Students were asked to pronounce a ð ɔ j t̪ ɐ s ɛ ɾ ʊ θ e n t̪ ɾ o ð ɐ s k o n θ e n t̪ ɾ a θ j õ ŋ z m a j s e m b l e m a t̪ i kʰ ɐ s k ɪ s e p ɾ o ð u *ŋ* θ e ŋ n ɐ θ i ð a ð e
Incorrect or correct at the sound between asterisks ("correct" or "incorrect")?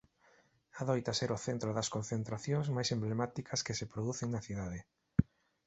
incorrect